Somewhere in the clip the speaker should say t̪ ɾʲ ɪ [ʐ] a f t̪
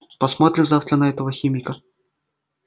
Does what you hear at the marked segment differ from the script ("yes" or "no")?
yes